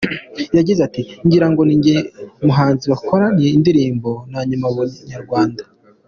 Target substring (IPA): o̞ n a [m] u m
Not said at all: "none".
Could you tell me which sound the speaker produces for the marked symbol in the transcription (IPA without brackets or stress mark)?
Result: ɲ